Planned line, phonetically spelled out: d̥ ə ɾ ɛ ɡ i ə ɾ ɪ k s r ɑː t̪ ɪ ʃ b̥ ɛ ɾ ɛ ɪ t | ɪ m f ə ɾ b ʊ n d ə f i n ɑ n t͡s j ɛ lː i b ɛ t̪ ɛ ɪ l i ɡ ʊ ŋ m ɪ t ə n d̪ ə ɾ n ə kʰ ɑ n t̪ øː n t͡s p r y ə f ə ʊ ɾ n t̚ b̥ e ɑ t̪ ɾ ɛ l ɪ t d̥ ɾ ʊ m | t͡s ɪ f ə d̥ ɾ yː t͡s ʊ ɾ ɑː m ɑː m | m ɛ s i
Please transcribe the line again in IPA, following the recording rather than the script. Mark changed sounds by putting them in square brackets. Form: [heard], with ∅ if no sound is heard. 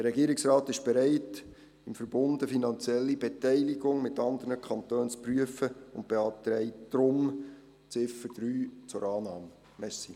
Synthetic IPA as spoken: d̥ ə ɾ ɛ ɡ i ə ɾ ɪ k s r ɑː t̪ ɪ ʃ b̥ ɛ ɾ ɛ ɪ t | ɪ m f ə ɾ b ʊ n d ə f i n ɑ n t͡s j ɛ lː i b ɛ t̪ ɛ ɪ l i ɡ ʊ ŋ m ɪ t [ɑ] n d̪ ə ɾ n ə kʰ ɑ n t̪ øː n t͡s p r y ə f ə ʊ [∅] n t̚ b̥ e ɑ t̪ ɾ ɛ [∅] ɪ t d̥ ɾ ʊ m | t͡s ɪ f ə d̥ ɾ yː t͡s ʊ ɾ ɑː [n] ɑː m | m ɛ s i